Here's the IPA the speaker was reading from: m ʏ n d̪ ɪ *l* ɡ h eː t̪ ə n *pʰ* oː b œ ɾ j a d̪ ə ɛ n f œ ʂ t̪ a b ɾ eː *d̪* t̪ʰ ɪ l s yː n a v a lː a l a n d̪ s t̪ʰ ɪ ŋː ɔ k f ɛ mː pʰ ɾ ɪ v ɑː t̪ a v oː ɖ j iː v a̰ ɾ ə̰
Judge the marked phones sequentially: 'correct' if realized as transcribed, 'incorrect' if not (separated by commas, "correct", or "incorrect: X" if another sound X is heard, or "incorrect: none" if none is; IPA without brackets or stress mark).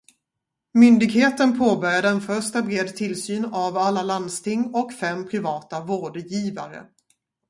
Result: incorrect: none, correct, correct